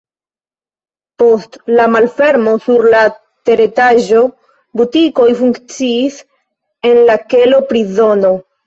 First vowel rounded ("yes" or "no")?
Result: yes